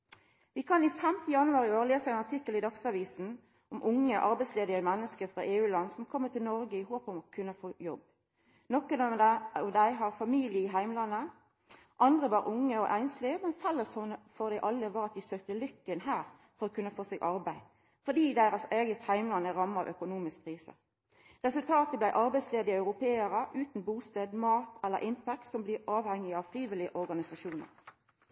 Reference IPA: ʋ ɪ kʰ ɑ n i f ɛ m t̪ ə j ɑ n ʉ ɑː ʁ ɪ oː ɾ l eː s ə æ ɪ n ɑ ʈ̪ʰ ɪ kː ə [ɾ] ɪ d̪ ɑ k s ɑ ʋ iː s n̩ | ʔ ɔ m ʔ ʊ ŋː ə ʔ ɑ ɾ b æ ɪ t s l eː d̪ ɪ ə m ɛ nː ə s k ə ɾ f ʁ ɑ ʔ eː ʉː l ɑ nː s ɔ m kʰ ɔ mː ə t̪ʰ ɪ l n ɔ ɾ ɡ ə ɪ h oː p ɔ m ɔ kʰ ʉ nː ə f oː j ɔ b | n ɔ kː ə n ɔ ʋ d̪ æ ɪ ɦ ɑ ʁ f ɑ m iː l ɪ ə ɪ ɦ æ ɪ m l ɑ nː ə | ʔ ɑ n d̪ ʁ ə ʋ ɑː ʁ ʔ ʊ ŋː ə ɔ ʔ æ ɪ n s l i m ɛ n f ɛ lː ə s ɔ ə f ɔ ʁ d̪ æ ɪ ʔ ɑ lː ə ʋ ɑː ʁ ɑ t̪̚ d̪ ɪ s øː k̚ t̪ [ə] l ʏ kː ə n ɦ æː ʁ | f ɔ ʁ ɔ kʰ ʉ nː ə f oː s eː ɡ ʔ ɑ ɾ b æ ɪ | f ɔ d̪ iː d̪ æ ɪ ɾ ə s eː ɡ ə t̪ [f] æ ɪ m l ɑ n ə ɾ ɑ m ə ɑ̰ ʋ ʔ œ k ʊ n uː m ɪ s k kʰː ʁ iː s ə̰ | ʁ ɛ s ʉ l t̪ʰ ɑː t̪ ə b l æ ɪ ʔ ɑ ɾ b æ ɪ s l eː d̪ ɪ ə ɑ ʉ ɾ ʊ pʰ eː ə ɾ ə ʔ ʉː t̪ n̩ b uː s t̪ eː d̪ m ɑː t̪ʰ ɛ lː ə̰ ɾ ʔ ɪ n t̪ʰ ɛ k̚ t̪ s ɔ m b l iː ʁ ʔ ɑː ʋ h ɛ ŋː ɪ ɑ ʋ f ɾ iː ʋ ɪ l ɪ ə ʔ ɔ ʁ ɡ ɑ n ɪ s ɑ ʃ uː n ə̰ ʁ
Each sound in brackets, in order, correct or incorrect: incorrect: l, correct, incorrect: h

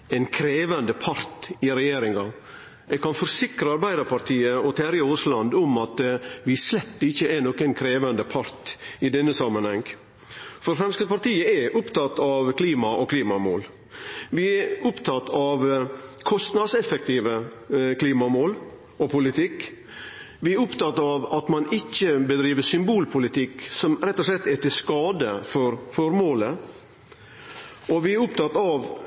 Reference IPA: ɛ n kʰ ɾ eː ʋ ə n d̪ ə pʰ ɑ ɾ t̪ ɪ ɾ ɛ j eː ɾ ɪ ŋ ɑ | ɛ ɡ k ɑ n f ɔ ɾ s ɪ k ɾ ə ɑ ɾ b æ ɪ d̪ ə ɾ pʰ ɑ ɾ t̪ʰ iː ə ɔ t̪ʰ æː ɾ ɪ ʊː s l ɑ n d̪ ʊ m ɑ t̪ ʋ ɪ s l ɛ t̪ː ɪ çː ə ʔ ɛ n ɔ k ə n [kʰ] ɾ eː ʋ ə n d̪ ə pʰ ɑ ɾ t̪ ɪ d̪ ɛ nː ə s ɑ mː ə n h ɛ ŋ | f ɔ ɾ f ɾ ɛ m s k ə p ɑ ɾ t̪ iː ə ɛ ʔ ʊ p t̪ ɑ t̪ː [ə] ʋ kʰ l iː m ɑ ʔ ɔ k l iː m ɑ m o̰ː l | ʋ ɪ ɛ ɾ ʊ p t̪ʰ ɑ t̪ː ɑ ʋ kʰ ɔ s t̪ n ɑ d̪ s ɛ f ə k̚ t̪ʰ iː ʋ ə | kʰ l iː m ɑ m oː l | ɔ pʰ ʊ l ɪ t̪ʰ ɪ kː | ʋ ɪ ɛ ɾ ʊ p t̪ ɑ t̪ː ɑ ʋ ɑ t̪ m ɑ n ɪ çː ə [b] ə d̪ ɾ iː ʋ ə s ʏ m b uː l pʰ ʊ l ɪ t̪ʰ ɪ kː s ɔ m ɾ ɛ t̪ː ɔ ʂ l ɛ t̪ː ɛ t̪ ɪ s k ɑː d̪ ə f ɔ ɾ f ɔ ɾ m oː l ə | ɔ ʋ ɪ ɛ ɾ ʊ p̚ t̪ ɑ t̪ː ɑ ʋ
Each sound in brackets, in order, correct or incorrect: correct, incorrect: ɑ, correct

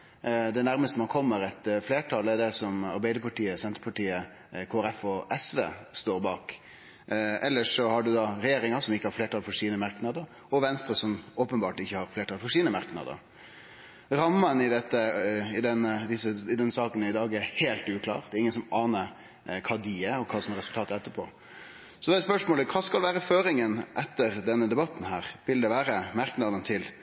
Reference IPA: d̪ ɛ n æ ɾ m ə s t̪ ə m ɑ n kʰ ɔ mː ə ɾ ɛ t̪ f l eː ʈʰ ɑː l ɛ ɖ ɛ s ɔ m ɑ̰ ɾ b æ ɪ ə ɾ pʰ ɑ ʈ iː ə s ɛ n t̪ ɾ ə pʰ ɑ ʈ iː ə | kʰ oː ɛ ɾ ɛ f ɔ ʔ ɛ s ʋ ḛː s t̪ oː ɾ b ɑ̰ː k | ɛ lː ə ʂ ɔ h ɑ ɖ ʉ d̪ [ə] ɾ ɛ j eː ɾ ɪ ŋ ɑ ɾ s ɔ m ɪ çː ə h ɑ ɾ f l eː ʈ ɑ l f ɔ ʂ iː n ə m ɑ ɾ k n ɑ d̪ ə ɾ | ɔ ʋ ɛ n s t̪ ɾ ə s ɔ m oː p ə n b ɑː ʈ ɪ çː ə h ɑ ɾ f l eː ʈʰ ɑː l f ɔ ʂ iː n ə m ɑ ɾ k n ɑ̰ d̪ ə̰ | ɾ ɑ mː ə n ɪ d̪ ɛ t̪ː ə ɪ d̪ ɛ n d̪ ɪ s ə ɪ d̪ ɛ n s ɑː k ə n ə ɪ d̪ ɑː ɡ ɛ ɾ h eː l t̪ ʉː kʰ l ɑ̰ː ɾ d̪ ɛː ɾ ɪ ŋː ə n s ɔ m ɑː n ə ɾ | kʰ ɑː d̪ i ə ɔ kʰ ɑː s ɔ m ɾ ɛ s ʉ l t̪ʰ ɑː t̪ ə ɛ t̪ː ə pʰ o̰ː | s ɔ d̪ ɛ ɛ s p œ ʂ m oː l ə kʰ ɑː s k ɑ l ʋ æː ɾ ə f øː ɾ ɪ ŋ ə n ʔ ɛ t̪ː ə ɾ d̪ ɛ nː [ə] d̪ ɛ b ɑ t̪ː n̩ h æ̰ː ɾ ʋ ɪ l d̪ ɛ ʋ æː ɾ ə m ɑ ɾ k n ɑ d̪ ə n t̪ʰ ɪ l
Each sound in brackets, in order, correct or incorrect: incorrect: ɑ, correct

